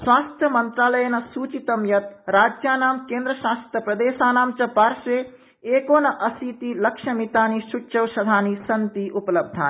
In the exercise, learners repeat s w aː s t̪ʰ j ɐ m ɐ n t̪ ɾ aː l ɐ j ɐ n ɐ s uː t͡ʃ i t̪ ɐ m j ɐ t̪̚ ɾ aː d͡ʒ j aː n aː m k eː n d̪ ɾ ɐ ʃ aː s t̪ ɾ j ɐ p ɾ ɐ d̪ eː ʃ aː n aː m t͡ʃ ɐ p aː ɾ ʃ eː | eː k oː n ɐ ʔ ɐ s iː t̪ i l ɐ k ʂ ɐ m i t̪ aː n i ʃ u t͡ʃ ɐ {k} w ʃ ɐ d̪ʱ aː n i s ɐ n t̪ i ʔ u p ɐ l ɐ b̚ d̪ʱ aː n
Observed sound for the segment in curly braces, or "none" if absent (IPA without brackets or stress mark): none